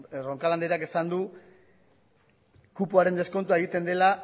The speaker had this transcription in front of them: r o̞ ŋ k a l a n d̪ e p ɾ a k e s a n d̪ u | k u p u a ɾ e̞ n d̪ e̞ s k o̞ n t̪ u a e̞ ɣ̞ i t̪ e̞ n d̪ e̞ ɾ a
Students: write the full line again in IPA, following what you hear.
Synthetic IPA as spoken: r o̞ ŋ k a l a n d̪ e ɾ a k e s a n d̪ u | k u p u a ɾ e̞ n d̪ e̞ s k o̞ n t̪ u a e̞ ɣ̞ i t̪ e̞ n d̪ e̞ l a